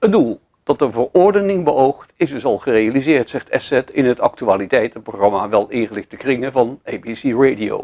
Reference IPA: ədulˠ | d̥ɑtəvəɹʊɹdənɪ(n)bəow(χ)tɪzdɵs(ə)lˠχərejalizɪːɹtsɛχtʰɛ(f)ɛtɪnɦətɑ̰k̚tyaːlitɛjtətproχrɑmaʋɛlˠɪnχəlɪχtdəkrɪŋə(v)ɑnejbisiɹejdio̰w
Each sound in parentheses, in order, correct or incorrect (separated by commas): incorrect, correct, incorrect, incorrect, correct